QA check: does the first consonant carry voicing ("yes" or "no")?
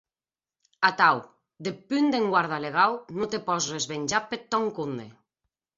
no